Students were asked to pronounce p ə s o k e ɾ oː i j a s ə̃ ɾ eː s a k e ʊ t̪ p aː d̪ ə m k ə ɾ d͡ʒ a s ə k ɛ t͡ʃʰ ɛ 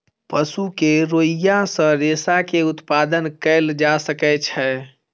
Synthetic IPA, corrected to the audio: p ə s u k e ɾ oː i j a s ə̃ ɾ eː s a k e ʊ t̪ p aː d̪ ə n k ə l d͡ʒ a s ə k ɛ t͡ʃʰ ɛ